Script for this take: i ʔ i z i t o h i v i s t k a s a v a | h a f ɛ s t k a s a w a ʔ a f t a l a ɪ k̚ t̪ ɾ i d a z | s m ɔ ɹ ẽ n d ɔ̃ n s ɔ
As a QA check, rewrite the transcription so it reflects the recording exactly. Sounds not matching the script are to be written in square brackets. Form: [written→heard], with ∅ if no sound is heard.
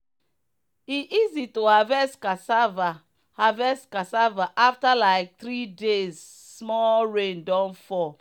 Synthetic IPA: i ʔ i z i t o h [i→a] v [i→ɛ] s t k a s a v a | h a [f→v] ɛ s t k a s a [w→v] a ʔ a f t a l a ɪ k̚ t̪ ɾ i d [a→e] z | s m ɔ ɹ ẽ n d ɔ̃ n [s→f] ɔ